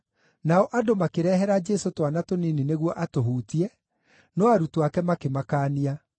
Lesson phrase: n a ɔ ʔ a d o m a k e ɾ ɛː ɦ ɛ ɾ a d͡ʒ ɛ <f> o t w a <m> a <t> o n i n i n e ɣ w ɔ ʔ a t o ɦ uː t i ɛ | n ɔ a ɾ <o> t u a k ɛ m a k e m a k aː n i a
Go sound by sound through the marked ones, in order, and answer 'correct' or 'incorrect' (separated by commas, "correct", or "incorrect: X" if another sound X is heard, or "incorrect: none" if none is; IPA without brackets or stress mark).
incorrect: s, incorrect: n, correct, incorrect: u